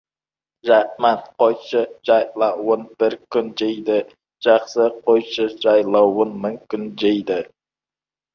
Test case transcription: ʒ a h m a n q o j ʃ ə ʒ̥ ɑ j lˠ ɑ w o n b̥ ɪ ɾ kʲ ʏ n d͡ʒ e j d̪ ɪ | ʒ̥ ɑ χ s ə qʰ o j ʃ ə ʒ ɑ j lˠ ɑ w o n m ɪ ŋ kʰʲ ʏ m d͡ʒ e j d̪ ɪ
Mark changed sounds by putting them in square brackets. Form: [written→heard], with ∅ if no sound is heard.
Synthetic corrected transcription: ʒ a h m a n q o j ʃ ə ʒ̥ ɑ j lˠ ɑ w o n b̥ ɪ ɾ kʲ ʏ n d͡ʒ e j d̪ ɪ | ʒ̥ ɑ χ s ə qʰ o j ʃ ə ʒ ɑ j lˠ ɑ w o n m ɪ ŋ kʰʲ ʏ [m→n] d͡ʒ e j d̪ ɪ